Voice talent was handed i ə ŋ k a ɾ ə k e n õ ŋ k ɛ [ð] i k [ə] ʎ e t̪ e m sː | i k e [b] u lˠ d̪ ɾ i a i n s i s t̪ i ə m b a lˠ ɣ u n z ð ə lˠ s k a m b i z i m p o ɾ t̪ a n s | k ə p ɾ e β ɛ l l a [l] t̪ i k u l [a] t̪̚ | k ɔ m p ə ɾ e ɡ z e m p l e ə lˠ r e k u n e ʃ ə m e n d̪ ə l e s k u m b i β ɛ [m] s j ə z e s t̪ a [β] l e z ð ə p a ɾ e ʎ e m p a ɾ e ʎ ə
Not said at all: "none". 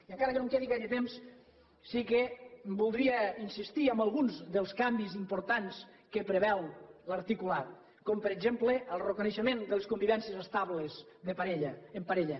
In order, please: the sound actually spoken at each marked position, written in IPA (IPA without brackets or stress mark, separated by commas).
ð, a, b, ɾ, a, n, β